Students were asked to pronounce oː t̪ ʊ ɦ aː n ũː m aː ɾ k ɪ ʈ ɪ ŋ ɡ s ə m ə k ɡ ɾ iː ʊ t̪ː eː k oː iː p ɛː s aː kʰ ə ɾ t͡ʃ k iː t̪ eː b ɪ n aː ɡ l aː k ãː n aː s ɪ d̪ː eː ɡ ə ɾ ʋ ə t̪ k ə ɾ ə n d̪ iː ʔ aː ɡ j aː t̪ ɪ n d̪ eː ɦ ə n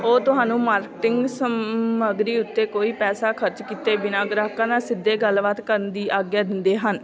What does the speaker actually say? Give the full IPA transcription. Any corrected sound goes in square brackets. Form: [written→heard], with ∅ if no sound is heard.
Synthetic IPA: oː t̪ ʊ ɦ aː n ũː m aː ɾ k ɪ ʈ ɪ ŋ ɡ s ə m ə [k→∅] ɡ ɾ iː ʊ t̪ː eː k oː iː p ɛː s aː kʰ ə ɾ t͡ʃ k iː t̪ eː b ɪ n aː ɡ [l→ɾ] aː k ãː n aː s ɪ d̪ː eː ɡ ə [ɾ→l] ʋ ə t̪ k ə ɾ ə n d̪ iː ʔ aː ɡ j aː [t̪→d̪] ɪ n d̪ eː ɦ ə n